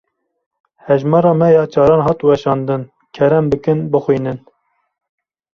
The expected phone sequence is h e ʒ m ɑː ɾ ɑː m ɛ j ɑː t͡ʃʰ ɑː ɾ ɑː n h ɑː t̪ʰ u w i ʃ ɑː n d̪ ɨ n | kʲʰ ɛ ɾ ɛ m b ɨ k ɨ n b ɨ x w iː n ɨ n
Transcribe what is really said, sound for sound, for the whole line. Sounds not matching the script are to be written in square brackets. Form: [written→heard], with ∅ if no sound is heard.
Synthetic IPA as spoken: h [e→ɛ] ʒ m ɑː ɾ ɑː m ɛ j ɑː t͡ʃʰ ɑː ɾ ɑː n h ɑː [t̪ʰ→t̪] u w [i→ɛ] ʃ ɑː n d̪ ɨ n | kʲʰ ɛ ɾ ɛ m b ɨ k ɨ n b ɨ x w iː n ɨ n